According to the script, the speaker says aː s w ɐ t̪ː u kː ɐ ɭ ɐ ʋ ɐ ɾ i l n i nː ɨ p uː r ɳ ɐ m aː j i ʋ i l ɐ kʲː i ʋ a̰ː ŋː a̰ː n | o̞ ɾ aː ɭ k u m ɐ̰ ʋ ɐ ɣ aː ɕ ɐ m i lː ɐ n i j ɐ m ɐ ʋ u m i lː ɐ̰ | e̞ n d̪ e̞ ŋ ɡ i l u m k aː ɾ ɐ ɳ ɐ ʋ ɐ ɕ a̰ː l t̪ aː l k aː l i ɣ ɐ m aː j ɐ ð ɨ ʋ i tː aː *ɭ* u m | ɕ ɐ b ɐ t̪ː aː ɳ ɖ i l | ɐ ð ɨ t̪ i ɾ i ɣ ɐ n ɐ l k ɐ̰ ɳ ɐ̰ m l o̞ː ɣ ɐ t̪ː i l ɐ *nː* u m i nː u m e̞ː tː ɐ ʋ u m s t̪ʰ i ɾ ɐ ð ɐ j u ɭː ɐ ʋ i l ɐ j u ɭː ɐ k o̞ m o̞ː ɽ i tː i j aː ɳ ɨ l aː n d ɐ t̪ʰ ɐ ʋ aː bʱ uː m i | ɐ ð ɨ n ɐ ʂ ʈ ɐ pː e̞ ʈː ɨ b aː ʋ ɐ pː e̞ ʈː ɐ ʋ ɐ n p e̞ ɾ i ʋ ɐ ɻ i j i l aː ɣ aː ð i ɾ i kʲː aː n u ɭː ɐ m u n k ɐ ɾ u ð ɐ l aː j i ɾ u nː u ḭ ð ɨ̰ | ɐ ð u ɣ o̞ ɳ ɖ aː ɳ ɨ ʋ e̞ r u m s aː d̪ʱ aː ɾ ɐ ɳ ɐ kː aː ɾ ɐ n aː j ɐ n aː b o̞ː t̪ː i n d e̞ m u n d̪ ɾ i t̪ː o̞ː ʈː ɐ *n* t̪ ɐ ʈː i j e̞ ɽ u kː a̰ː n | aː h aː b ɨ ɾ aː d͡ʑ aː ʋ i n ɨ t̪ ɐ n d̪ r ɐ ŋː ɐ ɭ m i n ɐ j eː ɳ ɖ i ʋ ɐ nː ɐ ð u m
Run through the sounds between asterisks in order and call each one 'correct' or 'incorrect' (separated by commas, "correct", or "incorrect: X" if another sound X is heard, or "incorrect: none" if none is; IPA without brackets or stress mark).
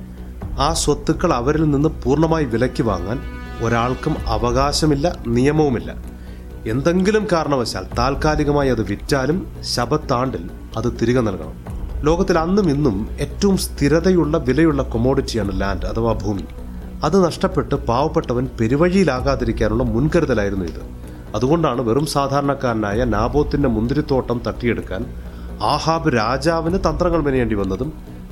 incorrect: l, correct, incorrect: m